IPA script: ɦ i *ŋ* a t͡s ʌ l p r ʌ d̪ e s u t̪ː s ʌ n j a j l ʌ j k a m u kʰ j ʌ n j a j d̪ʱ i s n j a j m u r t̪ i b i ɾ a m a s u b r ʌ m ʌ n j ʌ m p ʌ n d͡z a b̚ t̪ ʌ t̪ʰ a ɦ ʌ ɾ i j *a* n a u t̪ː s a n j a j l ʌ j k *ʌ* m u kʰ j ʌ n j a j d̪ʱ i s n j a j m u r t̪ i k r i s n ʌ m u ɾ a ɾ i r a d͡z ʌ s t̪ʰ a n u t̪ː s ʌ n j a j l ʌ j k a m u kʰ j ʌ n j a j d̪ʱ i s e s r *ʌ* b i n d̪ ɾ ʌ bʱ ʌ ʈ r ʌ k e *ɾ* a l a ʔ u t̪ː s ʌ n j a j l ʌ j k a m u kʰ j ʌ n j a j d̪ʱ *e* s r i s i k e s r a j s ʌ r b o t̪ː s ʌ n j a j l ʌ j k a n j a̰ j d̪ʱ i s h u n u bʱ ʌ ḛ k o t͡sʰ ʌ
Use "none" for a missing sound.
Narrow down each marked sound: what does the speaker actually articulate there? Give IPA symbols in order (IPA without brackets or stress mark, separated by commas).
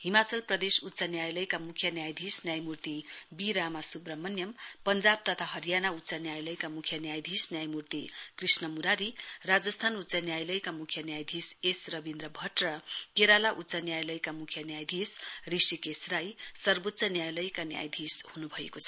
m, a, a, ʌ, ɾ, i